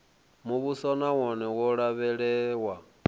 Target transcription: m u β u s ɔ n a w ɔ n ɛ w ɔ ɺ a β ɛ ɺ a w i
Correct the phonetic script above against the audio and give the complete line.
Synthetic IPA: m u β u s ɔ n a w ɔ n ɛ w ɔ ɺ a β ɛ ɺ ɛ w a